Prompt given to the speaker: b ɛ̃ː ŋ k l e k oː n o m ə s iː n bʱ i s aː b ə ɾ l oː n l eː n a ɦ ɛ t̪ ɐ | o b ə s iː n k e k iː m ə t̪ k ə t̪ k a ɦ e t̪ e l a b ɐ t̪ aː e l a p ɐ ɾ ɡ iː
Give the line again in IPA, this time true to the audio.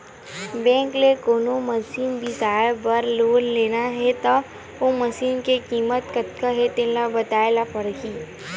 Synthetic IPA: b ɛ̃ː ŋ k l e k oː n o m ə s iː n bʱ i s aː b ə ɾ l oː n l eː n a ɦ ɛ t̪ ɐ | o m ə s iː n k e k iː m ə t̪ k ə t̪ k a ɦ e t̪ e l a b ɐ t̪ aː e l a p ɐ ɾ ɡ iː

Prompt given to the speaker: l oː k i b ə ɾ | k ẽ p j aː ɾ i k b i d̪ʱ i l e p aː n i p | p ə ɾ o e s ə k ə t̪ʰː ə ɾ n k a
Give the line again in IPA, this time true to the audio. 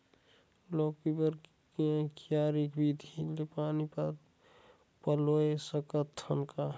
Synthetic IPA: l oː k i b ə ɾ | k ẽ k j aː ɾ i k b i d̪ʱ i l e p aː n i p | p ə l o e s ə k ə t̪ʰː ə n k a

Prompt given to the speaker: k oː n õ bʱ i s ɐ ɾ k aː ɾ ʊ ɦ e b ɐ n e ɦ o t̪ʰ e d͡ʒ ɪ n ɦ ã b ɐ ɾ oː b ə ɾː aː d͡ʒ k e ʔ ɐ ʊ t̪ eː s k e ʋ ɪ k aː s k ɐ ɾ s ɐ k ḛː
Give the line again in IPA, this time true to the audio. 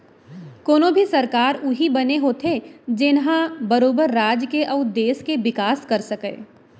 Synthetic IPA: k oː n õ bʱ i s ɐ ɾ k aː ɾ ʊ ɦ i b ɐ n e ɦ o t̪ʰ e d͡ʒ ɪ n ɦ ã b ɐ ɾ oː b ə ɾː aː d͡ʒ k e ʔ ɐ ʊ d̪ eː s k e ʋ ɪ k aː s k ɐ ɾ s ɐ k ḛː

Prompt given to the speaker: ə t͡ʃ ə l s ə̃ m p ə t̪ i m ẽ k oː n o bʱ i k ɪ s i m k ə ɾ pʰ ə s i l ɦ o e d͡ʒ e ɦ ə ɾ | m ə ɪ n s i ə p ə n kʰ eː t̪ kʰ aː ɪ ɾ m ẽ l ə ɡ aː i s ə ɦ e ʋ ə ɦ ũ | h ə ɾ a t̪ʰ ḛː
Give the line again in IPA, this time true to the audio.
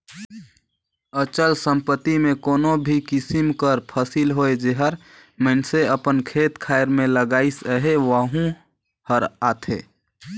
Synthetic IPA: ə t͡ʃ ə l s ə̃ m p ə t̪ i m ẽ k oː n o bʱ i k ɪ s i m k ə ɾ pʰ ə s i l ɦ o e d͡ʒ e ɦ ə ɾ | m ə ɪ n s e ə p ə n kʰ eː t̪ kʰ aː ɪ ɾ m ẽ l ə ɡ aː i s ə ɦ e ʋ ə ɦ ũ | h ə ɾ a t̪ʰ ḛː

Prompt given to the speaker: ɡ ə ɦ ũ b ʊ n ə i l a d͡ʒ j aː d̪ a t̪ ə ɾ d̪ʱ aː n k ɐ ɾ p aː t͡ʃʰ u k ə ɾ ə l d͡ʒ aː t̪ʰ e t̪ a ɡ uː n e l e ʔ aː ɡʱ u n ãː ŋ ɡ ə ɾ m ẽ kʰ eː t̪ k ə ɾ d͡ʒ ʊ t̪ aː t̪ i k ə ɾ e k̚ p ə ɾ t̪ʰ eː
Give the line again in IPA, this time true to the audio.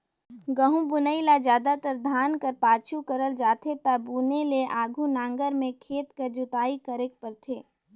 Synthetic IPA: ɡ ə ɦ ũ b ʊ n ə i l a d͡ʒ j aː d̪ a t̪ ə ɾ d̪ʱ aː n k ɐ ɾ p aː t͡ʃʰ u k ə ɾ ə l d͡ʒ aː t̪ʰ e t̪ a b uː n e l e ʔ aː ɡʱ u n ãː ŋ ɡ ə ɾ m ẽ kʰ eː t̪ k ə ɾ d͡ʒ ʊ t̪ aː i k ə ɾ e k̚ p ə ɾ t̪ʰ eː

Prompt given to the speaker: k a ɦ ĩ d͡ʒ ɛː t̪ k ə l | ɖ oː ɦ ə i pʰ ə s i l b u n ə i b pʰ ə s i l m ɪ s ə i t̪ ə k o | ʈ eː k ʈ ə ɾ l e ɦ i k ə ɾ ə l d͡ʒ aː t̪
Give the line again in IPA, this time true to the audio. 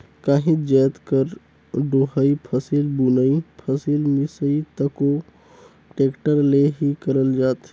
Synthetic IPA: k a ɦ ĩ d͡ʒ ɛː t̪ k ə ɾ | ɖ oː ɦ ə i pʰ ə s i l b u n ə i pʰ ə s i l m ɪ s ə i t̪ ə k o | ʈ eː k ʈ ə ɾ l e ɦ i k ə ɾ ə l d͡ʒ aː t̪

